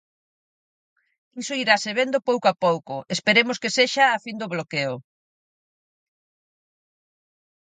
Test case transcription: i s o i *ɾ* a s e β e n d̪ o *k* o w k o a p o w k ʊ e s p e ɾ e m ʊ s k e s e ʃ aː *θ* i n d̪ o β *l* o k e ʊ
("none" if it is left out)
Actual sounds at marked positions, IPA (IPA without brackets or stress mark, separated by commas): ɾ, p, f, l